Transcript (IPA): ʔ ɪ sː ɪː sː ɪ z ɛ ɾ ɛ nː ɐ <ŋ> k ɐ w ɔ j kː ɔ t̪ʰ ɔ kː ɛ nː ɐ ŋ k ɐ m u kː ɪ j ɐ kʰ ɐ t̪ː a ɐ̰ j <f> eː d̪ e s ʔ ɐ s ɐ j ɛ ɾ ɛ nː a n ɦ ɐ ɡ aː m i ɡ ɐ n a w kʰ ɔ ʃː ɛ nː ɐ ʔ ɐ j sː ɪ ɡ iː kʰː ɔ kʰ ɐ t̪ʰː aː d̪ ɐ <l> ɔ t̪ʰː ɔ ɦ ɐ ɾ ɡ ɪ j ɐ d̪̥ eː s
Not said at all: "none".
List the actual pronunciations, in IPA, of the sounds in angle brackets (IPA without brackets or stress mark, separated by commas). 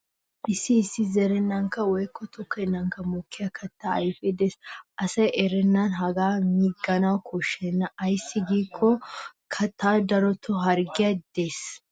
ŋ, f, ɾ